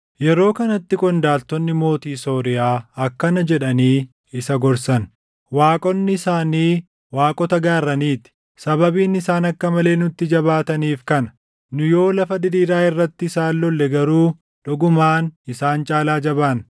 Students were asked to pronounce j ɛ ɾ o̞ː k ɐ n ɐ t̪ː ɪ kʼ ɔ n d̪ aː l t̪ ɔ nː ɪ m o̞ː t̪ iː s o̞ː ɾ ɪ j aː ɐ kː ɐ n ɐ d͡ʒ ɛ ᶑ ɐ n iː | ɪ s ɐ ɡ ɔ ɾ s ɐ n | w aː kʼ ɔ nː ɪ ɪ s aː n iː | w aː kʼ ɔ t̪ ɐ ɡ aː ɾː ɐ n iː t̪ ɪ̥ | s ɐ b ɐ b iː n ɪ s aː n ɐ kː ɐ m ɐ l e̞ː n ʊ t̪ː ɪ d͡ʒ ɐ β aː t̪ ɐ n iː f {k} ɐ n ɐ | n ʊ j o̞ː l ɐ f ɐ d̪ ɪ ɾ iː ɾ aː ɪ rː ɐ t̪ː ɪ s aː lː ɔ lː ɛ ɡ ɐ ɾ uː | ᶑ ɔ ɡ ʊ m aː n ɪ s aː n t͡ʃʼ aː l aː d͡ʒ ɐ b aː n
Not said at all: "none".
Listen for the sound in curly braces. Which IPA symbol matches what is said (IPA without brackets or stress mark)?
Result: k